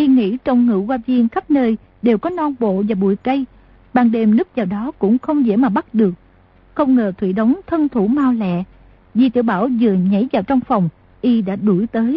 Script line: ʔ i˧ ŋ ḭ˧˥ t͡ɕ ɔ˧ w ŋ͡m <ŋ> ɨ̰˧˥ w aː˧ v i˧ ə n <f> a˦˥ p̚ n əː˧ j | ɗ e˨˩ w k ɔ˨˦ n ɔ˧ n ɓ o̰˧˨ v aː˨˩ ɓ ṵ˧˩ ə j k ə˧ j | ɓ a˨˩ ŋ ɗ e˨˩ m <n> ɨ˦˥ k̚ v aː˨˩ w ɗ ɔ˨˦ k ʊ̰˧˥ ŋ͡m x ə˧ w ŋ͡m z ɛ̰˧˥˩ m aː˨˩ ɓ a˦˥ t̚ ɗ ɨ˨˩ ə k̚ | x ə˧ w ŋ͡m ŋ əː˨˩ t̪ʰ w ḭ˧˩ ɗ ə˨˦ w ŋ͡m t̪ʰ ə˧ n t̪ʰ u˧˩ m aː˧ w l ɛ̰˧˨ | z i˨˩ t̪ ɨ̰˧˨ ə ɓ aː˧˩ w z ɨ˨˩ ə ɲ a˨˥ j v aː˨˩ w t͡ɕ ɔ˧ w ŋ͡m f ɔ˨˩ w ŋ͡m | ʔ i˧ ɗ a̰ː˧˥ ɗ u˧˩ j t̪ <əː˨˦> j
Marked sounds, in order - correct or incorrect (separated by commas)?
correct, incorrect, correct, correct